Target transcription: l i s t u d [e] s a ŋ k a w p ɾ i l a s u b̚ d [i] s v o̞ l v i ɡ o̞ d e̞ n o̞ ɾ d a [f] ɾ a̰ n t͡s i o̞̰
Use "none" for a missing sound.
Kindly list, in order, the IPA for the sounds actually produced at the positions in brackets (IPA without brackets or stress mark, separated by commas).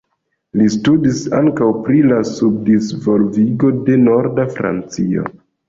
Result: i, i, f